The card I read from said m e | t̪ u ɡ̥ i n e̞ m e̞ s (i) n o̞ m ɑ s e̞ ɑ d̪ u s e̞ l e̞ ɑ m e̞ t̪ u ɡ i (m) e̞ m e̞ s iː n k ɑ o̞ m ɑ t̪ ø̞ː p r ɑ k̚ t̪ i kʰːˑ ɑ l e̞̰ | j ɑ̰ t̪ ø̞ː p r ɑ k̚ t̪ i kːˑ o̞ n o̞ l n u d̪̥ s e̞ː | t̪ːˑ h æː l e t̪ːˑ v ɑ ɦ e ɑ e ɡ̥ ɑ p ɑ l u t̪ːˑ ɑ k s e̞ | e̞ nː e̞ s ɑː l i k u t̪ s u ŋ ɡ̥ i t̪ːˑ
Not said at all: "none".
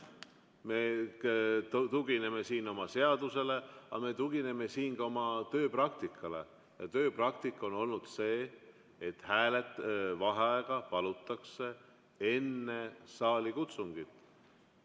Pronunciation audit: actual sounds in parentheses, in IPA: iː, n

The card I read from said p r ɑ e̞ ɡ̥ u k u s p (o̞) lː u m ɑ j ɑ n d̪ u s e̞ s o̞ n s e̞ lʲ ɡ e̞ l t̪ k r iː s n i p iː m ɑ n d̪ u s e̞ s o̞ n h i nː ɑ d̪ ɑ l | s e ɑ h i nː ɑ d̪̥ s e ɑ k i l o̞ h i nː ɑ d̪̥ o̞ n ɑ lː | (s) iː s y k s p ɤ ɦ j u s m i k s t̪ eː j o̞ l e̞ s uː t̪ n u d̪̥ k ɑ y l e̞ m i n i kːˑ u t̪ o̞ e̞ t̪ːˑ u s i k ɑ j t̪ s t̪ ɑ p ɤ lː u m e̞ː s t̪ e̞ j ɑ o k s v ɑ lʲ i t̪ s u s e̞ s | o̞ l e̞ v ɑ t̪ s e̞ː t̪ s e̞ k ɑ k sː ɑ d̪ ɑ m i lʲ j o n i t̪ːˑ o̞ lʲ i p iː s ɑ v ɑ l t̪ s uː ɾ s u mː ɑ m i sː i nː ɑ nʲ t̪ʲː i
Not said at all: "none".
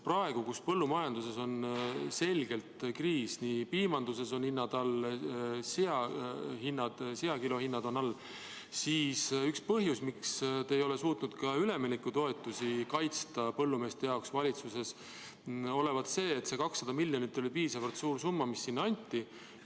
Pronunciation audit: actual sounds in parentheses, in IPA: ɤ̞, s

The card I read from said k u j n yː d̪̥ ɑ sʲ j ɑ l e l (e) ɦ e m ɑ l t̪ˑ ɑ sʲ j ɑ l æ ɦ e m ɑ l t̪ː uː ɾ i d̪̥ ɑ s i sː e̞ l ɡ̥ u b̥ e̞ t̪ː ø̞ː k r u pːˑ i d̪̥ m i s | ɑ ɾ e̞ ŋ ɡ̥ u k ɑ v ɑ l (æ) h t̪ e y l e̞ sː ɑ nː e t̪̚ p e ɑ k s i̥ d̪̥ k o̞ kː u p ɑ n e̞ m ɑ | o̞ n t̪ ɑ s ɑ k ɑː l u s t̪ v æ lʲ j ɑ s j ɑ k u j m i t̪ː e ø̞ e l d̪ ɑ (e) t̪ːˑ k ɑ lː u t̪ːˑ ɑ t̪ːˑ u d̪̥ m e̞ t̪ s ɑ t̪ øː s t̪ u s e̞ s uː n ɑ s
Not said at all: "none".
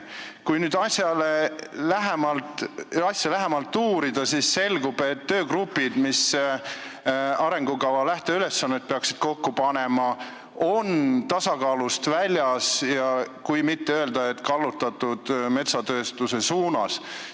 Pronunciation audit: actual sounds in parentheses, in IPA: æ, æ, e

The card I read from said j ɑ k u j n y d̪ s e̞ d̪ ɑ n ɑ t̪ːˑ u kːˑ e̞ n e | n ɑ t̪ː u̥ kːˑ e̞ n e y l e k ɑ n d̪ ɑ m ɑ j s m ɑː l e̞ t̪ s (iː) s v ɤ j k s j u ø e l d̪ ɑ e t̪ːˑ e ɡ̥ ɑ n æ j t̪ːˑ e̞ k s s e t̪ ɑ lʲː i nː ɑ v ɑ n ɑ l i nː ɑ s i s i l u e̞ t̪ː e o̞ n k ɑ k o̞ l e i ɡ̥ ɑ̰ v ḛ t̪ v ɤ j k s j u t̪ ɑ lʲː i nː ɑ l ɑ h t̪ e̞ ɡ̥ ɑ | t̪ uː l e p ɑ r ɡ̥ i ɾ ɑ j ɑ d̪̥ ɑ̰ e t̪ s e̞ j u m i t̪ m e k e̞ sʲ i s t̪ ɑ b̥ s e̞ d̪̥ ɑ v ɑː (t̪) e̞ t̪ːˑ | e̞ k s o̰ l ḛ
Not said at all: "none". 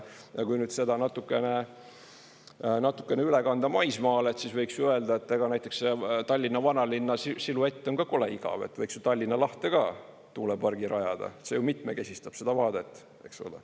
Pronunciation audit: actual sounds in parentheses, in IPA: i, d̪

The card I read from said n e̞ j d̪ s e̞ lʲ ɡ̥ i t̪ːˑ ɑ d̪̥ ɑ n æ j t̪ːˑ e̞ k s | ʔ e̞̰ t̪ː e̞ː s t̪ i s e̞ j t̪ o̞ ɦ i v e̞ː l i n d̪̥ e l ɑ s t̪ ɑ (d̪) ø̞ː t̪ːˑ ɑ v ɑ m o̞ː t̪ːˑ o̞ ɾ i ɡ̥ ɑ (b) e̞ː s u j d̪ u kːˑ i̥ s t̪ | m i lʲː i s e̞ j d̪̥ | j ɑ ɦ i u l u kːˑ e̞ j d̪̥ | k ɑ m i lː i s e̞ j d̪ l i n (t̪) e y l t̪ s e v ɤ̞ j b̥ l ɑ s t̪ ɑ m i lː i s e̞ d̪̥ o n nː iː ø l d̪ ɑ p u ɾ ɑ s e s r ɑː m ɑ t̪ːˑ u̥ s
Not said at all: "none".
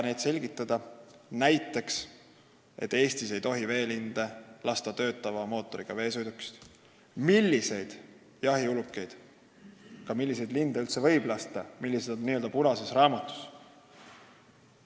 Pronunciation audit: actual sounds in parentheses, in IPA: t̪, v, d̪

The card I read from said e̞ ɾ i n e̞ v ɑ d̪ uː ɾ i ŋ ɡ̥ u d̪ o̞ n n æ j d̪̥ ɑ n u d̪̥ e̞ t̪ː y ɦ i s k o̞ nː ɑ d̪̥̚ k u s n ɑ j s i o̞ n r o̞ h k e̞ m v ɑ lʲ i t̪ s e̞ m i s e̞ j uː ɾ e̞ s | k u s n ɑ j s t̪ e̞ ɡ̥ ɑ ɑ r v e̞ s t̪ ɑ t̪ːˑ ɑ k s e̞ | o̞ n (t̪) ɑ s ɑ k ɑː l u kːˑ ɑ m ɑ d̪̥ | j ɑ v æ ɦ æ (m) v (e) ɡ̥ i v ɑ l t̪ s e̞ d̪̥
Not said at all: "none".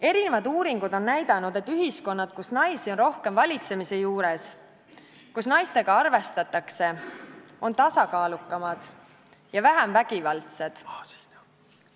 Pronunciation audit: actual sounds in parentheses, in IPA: t̪, m, æ

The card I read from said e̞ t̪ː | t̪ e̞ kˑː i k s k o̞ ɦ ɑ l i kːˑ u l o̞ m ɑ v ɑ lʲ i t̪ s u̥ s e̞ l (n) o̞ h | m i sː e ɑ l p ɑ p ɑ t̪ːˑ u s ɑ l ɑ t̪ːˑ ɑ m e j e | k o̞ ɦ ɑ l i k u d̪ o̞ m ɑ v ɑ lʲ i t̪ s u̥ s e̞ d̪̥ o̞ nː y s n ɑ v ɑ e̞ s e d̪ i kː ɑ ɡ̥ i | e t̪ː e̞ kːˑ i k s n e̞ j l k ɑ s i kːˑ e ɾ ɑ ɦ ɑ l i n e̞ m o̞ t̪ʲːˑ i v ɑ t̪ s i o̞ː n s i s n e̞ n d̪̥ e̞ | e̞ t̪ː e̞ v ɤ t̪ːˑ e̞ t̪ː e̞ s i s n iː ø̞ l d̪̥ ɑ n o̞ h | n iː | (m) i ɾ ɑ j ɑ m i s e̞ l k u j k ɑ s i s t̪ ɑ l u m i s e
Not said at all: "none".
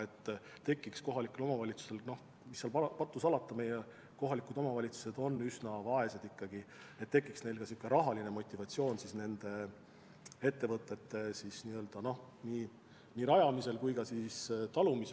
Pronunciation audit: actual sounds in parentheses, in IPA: n, n

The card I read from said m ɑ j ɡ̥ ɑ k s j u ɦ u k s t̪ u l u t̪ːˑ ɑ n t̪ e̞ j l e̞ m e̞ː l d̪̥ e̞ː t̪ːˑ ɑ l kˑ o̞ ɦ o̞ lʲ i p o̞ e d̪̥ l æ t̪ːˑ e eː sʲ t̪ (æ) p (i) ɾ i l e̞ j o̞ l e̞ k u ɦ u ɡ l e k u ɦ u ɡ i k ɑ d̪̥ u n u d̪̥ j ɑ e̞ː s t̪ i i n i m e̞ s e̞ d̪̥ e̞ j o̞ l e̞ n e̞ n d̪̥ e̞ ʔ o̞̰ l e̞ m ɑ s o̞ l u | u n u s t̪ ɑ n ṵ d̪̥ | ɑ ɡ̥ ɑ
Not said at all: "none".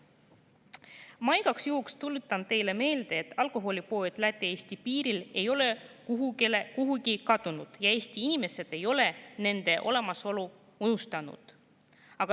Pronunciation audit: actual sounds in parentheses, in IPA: i, iː

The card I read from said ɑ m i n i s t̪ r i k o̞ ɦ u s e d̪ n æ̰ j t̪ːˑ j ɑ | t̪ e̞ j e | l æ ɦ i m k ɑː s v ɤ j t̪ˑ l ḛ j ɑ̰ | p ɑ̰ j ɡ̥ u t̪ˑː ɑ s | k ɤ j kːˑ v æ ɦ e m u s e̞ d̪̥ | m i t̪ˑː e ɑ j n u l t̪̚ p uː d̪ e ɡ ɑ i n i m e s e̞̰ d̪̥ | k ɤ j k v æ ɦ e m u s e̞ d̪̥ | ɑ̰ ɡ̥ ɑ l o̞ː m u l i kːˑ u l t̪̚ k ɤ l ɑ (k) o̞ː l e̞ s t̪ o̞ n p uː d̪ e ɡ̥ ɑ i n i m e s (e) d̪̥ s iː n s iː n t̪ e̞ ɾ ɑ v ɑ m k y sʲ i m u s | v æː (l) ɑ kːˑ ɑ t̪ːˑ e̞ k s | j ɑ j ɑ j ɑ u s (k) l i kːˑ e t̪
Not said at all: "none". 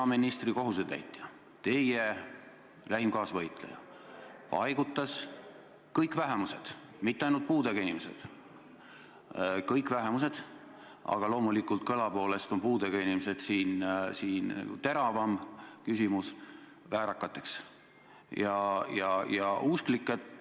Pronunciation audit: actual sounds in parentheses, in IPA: p, e, ɾ, k

